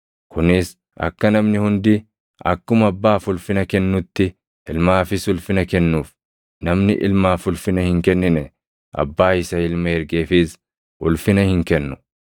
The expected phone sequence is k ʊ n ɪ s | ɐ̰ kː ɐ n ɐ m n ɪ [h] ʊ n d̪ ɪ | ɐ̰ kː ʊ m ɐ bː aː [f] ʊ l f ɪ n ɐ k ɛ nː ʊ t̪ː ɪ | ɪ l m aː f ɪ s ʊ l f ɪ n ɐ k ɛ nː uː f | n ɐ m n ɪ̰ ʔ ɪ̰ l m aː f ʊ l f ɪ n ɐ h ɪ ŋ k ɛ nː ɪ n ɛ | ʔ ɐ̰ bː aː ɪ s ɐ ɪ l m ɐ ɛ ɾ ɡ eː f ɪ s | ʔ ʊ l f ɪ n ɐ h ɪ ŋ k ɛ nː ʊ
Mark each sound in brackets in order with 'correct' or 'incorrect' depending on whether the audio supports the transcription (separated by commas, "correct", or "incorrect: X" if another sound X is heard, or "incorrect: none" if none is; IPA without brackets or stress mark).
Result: correct, correct